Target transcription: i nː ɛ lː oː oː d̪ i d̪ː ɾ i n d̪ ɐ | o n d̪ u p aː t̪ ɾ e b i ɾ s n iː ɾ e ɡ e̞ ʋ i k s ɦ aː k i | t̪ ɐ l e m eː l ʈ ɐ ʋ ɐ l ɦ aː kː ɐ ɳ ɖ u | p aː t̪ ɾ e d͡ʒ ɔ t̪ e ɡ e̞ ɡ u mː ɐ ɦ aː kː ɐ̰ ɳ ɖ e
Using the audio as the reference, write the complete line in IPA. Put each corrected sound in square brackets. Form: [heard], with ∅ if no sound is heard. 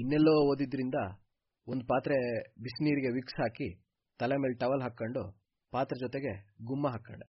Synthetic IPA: i nː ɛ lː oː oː d̪ i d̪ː ɾ i n d̪ ɐ | o n d̪ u p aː t̪ ɾ e b i [∅] s n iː ɾ [i] ɡ e̞ ʋ i k s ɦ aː k i | t̪ ɐ l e m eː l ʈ ɐ ʋ ɐ l ɦ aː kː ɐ ɳ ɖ u | p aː t̪ ɾ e d͡ʒ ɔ t̪ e ɡ e̞ ɡ u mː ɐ ɦ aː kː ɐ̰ ɳ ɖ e